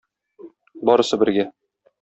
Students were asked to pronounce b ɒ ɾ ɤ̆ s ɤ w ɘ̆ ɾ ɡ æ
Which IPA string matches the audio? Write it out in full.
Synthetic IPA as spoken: b ɒ ɾ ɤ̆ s ɤ b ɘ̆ ɾ ɡ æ